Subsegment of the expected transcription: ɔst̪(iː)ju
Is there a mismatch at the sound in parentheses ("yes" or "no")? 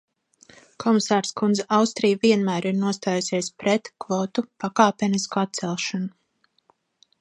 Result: yes